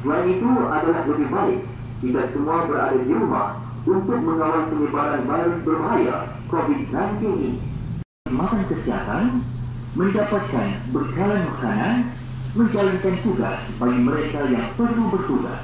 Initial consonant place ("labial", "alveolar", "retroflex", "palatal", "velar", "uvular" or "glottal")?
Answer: alveolar